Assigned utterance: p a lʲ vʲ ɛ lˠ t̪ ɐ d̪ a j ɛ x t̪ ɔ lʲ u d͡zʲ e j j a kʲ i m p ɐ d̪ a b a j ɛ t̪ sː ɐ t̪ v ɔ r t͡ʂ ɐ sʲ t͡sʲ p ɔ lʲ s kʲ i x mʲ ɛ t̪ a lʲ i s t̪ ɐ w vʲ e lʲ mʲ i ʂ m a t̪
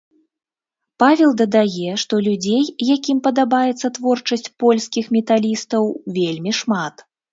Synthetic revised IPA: p a vʲ ɛ lˠ d̪ ɐ d̪ a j ɛ ʂ t̪ ɔ lʲ u d͡zʲ e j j a kʲ i m p ɐ d̪ a b a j ɛ t̪ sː ɐ t̪ v ɔ r t͡ʂ ɐ sʲ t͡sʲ p ɔ lʲ s kʲ i x mʲ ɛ t̪ a lʲ i s t̪ ɐ w vʲ e lʲ mʲ i ʂ m a t̪